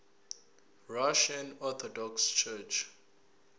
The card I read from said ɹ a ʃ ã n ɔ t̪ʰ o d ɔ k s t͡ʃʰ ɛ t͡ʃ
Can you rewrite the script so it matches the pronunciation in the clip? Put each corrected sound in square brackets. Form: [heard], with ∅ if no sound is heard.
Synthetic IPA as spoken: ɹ a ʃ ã n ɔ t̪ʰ [ɔ] d ɔ k s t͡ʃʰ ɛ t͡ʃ